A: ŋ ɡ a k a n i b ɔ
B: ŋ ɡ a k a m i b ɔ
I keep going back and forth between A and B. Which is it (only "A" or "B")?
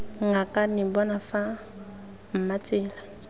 A